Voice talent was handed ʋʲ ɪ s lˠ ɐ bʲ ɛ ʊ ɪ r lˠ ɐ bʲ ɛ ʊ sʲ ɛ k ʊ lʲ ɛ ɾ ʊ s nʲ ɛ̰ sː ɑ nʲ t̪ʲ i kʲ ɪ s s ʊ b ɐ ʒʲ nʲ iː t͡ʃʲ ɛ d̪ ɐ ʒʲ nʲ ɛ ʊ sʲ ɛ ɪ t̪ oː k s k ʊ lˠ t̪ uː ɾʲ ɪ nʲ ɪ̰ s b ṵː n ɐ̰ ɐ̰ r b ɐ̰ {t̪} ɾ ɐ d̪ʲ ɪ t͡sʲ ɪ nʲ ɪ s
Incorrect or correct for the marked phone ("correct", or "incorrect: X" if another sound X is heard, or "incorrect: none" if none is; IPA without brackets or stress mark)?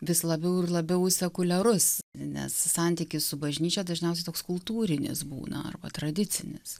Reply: correct